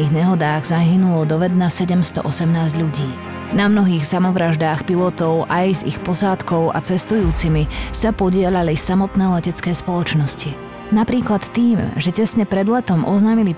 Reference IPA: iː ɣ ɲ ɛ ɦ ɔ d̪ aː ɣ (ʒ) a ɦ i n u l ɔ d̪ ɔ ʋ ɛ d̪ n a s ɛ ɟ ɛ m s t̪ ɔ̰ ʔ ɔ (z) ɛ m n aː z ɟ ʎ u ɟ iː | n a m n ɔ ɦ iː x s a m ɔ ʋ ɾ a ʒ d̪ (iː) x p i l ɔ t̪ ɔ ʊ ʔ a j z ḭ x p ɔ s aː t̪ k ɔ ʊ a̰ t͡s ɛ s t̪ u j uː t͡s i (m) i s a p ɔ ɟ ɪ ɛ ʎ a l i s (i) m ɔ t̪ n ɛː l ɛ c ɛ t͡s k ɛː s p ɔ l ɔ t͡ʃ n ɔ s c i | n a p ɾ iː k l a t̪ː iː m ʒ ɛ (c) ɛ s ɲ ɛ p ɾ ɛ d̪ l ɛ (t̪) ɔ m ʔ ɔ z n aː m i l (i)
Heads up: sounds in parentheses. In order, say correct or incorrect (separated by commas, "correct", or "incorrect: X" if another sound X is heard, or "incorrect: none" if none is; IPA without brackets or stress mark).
incorrect: z, incorrect: s, incorrect: aː, correct, incorrect: a, correct, correct, correct